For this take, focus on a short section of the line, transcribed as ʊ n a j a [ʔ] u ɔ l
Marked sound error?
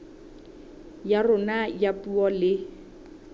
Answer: yes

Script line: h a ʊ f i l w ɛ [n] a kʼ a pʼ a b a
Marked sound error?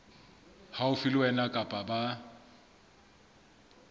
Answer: no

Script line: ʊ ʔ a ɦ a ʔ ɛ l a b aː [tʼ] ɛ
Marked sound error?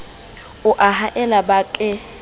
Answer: yes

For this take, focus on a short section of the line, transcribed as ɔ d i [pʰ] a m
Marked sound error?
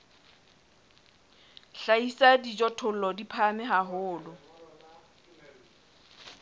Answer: no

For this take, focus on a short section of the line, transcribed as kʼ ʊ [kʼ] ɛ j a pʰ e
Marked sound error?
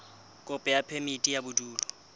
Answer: yes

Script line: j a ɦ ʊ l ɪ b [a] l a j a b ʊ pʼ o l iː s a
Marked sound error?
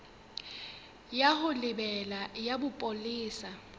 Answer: yes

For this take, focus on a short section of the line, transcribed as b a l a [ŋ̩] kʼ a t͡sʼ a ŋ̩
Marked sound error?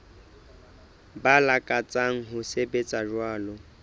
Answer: yes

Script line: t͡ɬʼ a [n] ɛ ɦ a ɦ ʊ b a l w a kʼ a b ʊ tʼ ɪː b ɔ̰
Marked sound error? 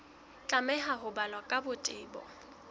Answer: yes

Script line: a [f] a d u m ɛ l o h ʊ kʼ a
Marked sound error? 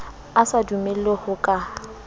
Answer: yes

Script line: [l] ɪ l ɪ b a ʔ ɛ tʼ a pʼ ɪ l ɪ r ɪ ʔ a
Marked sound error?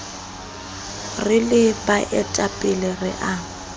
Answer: yes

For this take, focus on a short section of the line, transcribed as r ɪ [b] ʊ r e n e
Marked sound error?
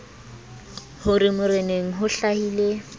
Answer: yes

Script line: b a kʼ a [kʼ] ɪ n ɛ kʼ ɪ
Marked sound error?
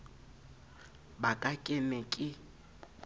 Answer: no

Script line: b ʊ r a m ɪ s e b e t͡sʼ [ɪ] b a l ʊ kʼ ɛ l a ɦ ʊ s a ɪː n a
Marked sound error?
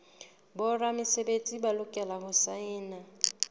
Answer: yes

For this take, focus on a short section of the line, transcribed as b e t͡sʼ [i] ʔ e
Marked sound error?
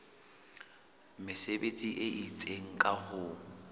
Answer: no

